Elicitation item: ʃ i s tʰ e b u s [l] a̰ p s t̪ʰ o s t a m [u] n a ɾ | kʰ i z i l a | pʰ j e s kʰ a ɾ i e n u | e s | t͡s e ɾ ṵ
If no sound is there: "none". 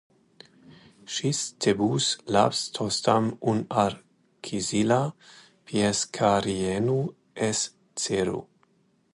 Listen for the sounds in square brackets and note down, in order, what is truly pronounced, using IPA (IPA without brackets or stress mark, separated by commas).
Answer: l, u